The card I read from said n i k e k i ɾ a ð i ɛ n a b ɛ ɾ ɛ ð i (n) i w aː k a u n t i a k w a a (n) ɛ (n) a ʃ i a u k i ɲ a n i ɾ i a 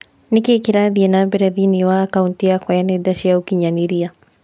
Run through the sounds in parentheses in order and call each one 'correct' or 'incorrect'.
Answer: correct, correct, incorrect

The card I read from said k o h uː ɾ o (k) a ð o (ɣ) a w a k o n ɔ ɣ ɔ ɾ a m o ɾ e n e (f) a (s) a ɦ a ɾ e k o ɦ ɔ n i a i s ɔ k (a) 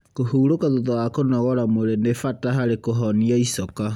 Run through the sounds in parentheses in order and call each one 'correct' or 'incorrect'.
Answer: correct, incorrect, correct, incorrect, correct

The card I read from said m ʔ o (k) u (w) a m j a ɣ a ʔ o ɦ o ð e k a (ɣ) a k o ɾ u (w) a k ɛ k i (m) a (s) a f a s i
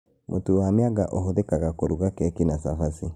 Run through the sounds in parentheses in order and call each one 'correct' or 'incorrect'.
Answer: incorrect, correct, correct, incorrect, incorrect, correct

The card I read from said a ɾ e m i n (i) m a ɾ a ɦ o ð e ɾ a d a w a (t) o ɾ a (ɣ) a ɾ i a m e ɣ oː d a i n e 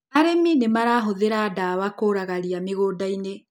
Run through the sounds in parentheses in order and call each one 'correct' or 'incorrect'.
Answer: incorrect, incorrect, correct

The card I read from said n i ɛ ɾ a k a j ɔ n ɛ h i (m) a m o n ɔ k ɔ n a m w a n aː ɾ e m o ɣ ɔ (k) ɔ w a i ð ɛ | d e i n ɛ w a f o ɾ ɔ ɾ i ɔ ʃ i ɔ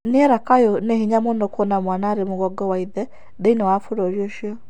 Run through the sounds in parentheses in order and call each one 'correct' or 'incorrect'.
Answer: incorrect, incorrect

